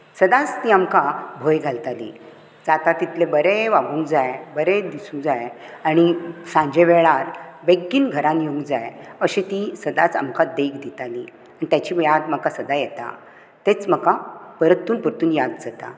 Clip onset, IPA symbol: s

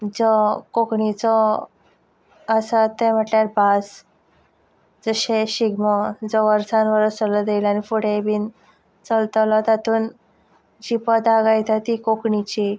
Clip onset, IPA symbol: d͡z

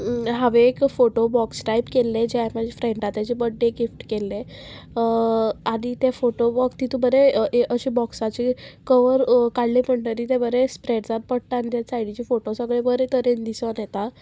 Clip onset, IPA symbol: ɦ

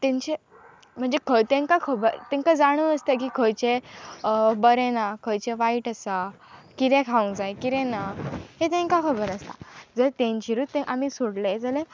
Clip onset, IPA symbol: t̪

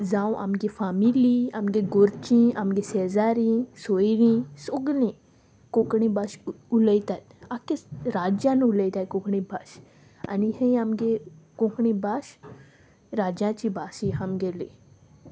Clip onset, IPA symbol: z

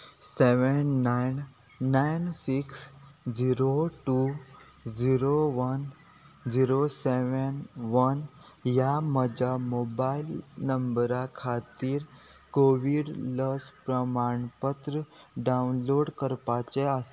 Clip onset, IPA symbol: s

